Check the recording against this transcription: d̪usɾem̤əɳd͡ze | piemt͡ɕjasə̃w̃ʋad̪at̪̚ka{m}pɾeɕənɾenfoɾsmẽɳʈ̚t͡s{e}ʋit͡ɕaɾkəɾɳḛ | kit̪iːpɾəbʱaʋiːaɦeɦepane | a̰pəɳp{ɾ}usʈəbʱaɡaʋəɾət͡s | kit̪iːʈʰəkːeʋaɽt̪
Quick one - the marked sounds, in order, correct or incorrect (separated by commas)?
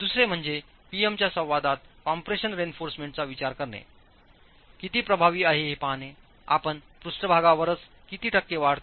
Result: correct, incorrect, correct